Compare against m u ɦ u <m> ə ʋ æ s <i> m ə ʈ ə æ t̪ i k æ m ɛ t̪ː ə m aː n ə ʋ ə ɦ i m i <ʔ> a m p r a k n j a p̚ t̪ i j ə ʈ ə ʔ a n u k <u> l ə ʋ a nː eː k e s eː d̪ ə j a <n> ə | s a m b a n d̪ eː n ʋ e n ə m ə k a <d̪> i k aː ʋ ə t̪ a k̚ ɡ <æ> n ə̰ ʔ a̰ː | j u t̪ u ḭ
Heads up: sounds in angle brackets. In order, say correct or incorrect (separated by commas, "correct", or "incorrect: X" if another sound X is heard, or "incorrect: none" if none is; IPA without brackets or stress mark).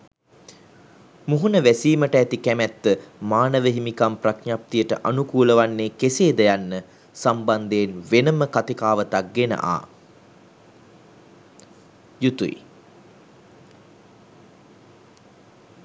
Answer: incorrect: n, incorrect: iː, incorrect: k, incorrect: uː, incorrect: nː, incorrect: t̪, incorrect: e